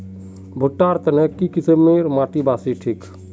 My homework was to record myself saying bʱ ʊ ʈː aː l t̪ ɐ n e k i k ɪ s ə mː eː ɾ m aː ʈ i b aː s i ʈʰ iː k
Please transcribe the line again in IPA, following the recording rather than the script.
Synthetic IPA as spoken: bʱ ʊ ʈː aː ɾ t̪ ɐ n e k i k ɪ s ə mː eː ɾ m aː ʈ i b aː s i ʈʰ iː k